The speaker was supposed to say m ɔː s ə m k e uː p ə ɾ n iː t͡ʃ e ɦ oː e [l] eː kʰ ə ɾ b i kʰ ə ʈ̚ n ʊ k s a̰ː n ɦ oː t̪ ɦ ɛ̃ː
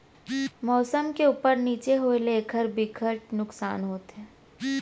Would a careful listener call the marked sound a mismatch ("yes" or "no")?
no